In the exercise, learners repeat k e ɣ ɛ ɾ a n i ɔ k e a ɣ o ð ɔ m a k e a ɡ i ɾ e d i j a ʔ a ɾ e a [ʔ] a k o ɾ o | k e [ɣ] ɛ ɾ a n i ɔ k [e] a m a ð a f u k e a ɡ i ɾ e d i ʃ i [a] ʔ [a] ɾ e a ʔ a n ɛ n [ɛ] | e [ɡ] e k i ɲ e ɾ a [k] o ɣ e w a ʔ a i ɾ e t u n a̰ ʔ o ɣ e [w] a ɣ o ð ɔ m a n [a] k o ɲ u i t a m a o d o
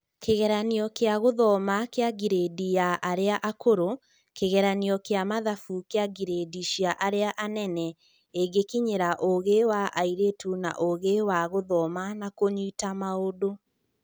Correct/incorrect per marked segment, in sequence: correct, correct, correct, correct, correct, correct, correct, incorrect: ʔ, correct, correct

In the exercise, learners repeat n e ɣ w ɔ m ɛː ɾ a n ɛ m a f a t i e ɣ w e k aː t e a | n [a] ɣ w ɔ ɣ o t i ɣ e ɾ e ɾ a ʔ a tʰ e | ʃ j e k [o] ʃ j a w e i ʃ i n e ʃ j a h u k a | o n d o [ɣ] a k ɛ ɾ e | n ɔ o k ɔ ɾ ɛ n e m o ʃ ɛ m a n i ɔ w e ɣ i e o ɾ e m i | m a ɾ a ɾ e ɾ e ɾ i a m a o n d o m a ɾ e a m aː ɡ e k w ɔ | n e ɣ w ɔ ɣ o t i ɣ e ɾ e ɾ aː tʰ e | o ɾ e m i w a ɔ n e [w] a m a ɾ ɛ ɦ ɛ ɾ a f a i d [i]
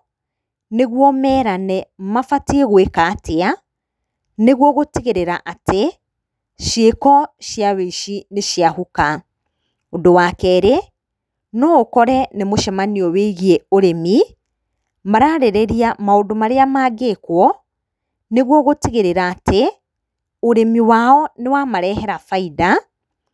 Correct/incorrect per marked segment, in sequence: incorrect: e, incorrect: ɔ, incorrect: w, correct, incorrect: a

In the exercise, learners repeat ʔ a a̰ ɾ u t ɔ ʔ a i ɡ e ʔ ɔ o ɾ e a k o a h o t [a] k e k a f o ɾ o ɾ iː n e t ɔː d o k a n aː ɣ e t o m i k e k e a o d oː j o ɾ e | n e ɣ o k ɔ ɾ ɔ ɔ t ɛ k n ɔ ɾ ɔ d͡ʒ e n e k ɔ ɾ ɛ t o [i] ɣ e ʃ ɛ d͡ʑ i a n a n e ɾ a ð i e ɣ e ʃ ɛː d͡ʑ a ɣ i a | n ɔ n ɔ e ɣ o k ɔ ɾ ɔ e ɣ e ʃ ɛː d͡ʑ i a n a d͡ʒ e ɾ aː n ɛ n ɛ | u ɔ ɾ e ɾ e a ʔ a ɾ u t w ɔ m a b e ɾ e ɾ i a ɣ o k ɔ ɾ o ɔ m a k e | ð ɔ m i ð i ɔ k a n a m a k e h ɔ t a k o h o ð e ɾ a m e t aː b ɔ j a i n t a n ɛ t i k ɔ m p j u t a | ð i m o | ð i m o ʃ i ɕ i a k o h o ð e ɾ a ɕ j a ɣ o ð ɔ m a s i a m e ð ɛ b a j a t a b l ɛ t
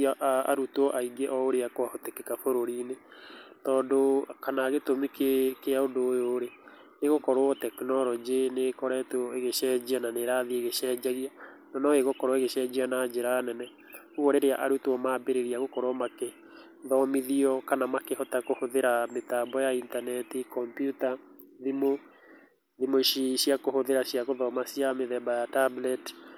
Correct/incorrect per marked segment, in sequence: incorrect: e, incorrect: e

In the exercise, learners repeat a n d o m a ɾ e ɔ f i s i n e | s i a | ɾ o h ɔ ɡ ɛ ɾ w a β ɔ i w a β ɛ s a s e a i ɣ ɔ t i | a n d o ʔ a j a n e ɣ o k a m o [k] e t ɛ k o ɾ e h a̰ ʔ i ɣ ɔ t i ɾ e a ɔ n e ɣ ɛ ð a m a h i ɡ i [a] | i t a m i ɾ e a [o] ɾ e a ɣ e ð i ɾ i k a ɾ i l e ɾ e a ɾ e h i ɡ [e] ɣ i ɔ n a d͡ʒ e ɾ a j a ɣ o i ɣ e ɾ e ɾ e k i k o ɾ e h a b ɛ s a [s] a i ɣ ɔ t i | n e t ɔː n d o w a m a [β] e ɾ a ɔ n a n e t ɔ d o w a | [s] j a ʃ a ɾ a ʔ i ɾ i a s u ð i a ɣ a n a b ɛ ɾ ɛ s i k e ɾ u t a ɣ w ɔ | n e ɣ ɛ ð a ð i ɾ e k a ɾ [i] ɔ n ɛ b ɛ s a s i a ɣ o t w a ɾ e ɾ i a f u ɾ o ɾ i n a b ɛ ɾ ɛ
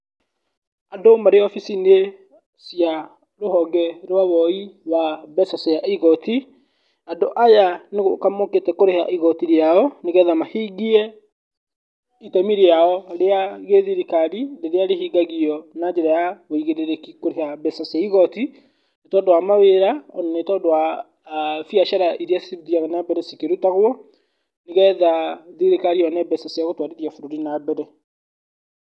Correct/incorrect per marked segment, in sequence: correct, incorrect: ɛ, incorrect: ɔ, incorrect: a, correct, incorrect: w, incorrect: f, correct

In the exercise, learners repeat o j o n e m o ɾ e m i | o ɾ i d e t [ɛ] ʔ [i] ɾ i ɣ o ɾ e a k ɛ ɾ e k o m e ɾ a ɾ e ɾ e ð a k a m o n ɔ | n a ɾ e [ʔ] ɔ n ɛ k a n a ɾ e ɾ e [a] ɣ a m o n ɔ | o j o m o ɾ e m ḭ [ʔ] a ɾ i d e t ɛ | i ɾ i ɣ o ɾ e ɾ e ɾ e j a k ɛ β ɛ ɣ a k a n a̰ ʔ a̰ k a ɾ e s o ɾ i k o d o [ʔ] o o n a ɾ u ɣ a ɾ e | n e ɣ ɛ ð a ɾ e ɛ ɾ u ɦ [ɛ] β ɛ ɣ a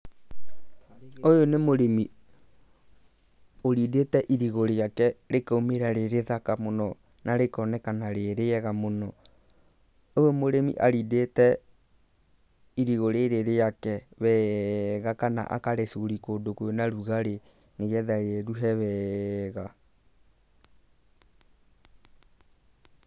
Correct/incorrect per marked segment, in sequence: correct, correct, incorrect: k, incorrect: ɛ, correct, incorrect: k, correct

